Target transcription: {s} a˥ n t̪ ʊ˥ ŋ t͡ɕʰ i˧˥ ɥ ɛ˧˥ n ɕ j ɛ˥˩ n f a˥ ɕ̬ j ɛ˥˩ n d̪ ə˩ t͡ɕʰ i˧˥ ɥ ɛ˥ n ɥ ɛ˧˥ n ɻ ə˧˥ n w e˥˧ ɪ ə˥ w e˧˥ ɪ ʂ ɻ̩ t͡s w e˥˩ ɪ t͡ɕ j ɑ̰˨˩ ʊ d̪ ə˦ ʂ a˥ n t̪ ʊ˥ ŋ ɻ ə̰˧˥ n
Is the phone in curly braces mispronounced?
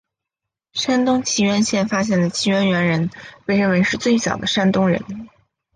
yes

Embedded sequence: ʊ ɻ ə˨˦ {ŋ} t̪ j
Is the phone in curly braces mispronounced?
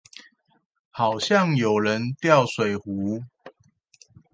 yes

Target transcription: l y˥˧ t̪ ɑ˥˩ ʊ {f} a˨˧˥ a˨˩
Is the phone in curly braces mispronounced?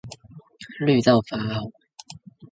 no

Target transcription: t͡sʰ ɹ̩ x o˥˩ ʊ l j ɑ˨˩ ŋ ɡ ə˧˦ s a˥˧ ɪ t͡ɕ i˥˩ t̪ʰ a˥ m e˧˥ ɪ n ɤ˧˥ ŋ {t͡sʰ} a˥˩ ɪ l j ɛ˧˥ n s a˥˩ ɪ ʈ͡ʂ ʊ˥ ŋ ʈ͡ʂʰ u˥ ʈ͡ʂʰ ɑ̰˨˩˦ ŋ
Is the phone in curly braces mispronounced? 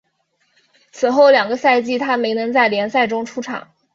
yes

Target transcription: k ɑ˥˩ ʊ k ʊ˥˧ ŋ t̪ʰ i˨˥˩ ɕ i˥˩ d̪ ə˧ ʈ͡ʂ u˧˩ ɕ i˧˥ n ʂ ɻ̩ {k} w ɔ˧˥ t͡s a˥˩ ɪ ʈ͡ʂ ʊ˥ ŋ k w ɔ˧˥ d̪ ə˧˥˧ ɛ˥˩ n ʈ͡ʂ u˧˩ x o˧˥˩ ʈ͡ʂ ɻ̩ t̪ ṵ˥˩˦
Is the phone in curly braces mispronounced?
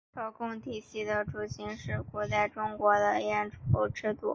no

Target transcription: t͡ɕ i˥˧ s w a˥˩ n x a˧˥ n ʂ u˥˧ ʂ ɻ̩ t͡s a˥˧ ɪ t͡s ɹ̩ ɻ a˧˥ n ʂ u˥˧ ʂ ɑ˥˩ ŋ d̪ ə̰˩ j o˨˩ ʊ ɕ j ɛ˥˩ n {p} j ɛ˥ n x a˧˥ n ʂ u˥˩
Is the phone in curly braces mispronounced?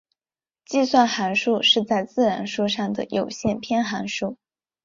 yes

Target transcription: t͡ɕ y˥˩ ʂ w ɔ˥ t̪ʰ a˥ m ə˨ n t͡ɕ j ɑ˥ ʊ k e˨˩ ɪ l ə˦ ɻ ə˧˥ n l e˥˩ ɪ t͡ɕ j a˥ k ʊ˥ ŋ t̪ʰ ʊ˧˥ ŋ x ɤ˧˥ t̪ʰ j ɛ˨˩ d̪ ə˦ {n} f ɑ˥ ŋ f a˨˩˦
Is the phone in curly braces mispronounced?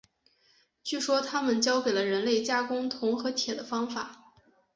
yes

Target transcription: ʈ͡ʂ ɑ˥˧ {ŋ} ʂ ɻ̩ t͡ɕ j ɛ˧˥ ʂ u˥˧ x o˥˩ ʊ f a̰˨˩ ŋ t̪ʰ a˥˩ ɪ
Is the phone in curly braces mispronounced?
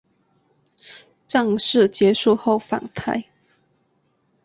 no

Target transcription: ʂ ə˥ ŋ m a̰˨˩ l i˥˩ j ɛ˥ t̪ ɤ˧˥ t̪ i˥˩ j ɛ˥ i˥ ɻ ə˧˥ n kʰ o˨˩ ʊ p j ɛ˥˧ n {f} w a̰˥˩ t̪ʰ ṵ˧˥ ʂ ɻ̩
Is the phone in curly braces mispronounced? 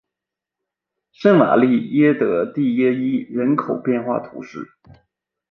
yes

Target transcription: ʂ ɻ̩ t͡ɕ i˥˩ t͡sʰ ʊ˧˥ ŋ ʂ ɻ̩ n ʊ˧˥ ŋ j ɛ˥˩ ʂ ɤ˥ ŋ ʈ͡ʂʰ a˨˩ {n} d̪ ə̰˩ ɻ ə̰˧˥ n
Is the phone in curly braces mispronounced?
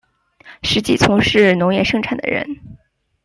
no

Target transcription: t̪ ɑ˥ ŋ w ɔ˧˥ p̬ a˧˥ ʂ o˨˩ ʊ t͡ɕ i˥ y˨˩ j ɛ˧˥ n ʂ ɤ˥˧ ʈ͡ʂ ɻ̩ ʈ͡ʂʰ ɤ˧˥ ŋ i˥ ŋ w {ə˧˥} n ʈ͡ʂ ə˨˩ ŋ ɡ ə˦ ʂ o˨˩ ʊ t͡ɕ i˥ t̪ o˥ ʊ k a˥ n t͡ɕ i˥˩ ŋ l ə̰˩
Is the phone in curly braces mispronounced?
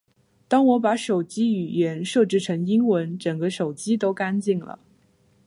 no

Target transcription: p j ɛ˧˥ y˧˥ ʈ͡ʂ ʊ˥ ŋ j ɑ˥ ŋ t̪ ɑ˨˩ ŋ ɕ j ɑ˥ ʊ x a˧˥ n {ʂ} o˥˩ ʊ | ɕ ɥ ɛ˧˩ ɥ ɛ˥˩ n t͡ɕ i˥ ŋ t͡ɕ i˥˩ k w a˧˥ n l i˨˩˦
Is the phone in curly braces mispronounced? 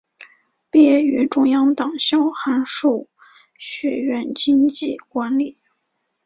no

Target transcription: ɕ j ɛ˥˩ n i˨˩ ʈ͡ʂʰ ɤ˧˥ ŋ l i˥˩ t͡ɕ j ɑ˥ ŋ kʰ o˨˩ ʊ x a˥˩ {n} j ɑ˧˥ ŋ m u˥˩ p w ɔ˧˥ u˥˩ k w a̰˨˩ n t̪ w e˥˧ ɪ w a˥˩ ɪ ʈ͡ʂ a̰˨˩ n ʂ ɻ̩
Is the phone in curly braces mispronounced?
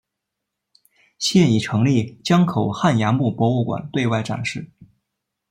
no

